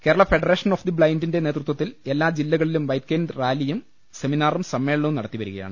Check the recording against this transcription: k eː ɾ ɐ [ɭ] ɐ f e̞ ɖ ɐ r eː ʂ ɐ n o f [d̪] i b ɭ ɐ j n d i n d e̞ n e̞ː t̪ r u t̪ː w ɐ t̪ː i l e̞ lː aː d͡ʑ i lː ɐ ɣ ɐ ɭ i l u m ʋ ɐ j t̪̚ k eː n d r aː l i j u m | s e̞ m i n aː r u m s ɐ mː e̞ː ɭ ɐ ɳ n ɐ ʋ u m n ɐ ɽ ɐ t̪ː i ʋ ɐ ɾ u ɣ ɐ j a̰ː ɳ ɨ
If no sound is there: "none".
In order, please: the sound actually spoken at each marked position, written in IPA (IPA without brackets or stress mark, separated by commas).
ɭ, d̪